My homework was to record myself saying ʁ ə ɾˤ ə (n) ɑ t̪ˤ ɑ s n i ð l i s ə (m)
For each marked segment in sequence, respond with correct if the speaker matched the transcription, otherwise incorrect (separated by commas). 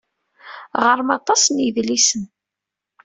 incorrect, incorrect